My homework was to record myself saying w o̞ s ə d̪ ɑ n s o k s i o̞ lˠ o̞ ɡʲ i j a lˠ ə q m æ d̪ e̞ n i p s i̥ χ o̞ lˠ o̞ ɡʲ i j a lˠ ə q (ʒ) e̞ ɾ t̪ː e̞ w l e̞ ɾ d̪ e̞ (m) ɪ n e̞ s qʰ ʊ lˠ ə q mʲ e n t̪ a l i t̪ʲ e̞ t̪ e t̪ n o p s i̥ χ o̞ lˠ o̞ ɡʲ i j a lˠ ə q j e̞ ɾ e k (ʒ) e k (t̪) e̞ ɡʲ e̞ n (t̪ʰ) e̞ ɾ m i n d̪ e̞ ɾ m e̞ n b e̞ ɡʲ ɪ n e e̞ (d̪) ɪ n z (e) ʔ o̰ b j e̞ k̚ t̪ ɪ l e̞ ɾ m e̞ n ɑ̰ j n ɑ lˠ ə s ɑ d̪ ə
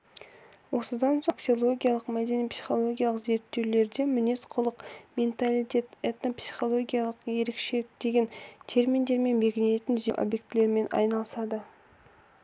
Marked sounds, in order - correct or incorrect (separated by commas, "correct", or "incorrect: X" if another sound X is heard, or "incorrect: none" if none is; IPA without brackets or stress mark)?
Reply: incorrect: z, correct, incorrect: ʃ, incorrect: d̪, correct, incorrect: t̪, correct